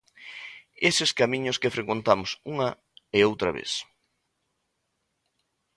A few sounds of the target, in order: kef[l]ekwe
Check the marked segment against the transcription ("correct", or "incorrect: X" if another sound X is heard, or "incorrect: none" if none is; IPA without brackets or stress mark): incorrect: ɾ